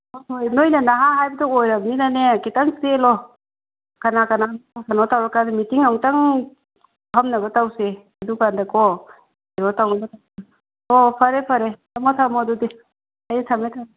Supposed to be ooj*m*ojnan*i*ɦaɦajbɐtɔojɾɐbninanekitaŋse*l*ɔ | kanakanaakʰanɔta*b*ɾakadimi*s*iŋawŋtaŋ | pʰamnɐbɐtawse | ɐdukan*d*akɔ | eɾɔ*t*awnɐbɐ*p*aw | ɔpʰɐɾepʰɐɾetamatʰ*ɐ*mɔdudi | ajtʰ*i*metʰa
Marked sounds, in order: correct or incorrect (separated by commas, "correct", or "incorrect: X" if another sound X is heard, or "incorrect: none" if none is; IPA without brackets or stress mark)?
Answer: incorrect: n, incorrect: a, correct, incorrect: w, incorrect: t, correct, correct, incorrect: t, incorrect: a, incorrect: a